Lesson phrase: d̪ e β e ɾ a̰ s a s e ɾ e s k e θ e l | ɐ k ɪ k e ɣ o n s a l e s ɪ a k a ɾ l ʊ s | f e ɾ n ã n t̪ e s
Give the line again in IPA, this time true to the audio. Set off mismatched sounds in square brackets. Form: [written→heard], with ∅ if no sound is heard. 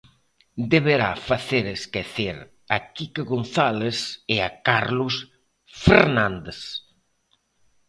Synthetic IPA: d̪ e β e ɾ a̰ [s→f] a [s→θ] e ɾ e s k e θ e [l→ɾ] | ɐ k [ɪ→i] k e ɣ o n [s→θ] a l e s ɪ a k a ɾ l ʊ s | f e ɾ n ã n [t̪→d̪] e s